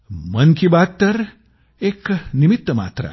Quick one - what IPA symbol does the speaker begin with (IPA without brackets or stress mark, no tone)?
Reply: m